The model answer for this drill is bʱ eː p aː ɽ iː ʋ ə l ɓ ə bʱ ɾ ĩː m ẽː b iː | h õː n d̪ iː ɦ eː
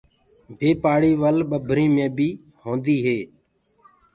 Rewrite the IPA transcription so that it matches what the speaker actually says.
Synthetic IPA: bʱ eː p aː ɽ iː ʋ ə l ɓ ə bʱ ɾ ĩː m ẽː b iː | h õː n d̪ iː ɦ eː

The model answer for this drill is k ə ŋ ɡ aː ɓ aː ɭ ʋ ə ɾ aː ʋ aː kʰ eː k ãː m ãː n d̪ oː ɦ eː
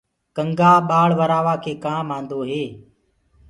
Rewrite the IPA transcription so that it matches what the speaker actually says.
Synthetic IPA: k ə ŋ ɡ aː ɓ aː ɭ ʋ ə ɾ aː ʋ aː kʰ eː k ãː m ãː n d̪ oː ɦ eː

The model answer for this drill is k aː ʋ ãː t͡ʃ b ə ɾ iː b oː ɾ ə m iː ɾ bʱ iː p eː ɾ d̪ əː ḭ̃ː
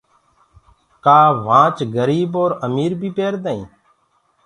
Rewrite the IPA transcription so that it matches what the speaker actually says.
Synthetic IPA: k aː ʋ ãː t͡ʃ ɡ ə ɾ iː b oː ɾ ə m iː ɾ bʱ iː p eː ɾ d̪ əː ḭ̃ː

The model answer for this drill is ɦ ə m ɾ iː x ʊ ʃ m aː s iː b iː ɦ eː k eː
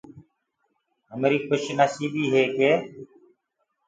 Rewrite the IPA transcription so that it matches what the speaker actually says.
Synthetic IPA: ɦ ə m ɾ iː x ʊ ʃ n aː s iː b iː ɦ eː k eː

